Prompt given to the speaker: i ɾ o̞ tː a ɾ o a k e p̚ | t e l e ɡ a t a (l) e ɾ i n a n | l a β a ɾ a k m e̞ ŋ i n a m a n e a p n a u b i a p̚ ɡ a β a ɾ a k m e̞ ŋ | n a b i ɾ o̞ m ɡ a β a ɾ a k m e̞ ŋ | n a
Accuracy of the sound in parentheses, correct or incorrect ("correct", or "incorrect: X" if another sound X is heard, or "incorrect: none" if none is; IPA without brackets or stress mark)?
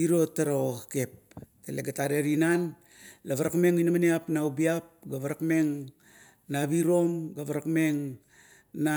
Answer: incorrect: ɾ